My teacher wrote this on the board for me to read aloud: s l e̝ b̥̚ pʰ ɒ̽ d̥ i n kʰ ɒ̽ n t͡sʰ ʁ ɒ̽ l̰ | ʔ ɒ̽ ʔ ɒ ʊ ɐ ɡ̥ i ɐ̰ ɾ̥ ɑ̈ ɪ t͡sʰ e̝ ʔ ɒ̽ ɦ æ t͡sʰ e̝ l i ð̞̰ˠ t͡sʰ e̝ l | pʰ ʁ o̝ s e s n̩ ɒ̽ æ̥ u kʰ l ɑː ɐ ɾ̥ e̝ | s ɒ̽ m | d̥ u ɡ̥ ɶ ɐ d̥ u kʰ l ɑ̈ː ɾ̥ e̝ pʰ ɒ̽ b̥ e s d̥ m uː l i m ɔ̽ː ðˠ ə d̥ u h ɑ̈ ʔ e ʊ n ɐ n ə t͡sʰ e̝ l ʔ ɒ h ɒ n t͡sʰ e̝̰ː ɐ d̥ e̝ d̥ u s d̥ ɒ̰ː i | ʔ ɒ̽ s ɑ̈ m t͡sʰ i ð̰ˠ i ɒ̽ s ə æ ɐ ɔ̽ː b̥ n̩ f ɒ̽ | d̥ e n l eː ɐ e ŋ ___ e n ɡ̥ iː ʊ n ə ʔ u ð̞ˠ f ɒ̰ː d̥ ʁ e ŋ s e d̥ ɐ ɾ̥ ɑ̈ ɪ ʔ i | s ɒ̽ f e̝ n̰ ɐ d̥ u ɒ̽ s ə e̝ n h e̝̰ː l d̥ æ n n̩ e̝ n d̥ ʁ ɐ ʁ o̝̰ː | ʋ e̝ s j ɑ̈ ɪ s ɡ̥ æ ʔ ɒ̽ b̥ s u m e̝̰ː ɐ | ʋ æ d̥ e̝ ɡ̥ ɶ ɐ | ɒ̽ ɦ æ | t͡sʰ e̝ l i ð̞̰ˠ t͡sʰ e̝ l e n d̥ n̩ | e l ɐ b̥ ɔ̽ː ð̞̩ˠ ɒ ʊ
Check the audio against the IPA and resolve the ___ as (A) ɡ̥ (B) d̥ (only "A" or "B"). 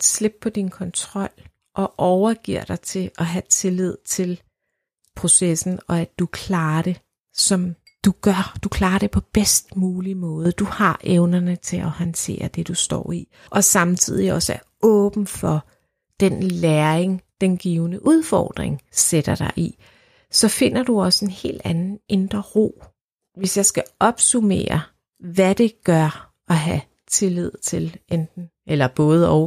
B